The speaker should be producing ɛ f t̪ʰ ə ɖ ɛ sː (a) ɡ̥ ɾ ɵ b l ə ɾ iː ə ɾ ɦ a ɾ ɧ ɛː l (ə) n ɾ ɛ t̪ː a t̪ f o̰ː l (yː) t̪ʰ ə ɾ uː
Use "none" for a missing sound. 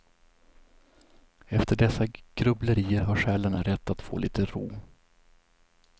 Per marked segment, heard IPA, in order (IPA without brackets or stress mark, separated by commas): a, ə, iː